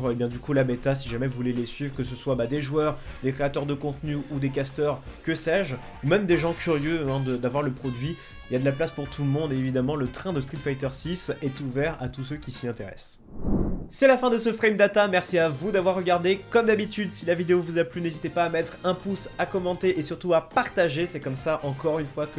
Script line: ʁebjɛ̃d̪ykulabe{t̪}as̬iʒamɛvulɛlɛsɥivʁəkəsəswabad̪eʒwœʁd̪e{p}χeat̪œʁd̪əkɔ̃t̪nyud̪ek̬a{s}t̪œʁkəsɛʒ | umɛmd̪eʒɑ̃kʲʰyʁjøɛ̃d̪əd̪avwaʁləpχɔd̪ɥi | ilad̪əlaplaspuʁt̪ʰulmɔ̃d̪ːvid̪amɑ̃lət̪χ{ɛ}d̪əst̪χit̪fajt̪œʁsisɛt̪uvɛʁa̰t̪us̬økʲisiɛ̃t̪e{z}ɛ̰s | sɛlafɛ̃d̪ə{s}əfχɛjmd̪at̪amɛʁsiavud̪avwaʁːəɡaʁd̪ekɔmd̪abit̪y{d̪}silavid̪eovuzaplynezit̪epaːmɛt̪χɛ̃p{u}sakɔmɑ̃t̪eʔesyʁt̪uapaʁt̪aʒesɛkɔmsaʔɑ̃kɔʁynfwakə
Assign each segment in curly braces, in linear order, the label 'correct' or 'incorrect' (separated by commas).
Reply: correct, incorrect, correct, incorrect, incorrect, correct, correct, correct